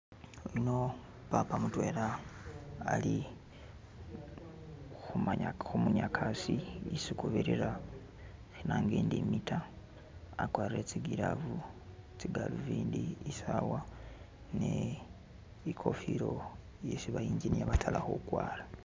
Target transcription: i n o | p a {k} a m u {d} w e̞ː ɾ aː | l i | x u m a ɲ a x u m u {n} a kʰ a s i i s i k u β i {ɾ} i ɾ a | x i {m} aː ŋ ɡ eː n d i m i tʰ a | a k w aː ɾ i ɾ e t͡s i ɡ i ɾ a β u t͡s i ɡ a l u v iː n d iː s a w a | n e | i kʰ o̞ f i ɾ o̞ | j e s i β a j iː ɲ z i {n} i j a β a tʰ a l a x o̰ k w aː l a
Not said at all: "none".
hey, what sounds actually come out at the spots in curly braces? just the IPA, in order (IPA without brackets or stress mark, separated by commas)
p, t, ɲ, ɾ, n, n